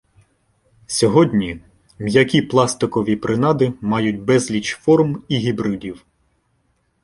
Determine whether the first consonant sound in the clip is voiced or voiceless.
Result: voiceless